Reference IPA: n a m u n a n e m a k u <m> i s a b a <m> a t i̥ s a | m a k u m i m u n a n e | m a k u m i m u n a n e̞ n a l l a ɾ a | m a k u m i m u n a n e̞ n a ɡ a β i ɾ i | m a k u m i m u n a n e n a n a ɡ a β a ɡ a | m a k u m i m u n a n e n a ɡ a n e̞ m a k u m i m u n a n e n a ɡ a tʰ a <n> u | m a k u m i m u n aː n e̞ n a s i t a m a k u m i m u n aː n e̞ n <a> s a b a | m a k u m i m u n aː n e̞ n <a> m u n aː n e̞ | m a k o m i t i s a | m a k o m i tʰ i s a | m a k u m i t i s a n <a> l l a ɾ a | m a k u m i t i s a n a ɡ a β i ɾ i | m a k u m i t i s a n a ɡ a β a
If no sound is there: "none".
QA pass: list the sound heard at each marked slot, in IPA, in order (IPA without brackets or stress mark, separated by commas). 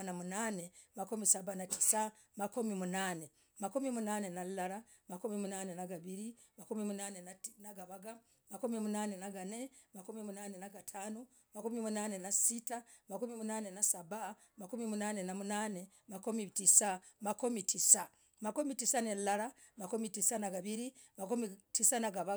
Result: m, n, n, a, a, e